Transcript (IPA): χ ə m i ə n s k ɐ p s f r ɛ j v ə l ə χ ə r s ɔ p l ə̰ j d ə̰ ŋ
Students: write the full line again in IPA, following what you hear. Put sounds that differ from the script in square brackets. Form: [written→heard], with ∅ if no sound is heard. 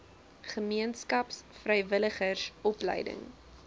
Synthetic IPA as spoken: χ ə m i ə n s k ɐ p s f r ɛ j v ə l ə χ ə r s ɔ p l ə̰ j d ə̰ ŋ